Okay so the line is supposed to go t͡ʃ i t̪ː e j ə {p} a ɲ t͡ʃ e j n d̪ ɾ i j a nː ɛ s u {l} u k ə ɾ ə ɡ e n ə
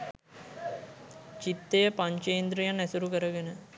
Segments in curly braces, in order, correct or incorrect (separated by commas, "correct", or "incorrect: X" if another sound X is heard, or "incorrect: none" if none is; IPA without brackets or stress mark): correct, incorrect: ɾ